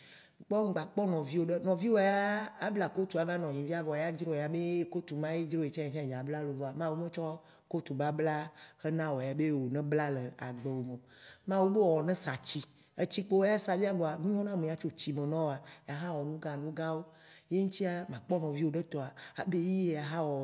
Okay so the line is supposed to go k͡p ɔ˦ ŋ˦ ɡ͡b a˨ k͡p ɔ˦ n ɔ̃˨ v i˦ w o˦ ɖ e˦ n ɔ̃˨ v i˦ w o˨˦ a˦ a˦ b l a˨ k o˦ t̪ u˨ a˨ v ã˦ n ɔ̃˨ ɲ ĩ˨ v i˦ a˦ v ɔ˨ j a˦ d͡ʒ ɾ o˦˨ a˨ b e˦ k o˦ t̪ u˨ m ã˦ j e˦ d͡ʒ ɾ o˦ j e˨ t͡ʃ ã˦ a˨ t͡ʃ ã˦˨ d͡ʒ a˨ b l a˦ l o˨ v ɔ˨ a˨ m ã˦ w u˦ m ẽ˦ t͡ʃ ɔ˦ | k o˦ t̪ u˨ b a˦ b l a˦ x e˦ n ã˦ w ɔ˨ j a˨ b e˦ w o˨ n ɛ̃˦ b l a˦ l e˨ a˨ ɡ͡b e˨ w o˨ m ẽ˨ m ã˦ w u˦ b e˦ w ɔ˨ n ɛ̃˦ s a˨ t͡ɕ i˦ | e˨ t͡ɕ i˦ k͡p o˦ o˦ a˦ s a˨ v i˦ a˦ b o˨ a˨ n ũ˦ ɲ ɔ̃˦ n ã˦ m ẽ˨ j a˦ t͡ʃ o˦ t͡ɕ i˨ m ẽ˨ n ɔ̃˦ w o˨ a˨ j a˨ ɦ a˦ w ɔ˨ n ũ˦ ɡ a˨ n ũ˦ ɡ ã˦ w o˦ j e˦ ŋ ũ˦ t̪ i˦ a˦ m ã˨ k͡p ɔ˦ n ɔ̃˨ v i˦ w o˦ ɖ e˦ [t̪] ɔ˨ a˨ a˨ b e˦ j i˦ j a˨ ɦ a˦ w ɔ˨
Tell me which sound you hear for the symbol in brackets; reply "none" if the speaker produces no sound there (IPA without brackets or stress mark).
t̪